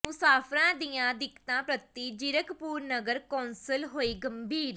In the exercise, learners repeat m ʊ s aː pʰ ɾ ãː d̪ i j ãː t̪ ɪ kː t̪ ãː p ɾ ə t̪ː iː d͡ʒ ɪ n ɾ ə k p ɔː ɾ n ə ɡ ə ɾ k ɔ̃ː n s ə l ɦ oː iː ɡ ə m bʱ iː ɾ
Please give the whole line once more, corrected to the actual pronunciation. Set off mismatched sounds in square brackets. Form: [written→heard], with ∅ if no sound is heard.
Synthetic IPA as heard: m ʊ s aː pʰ ɾ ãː d̪ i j ãː [t̪→d̪] ɪ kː t̪ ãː p ɾ ə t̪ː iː d͡ʒ ɪ [n→∅] ɾ ə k p [ɔː→uː] ɾ n ə ɡ ə ɾ k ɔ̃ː n s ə l ɦ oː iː ɡ ə m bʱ iː ɾ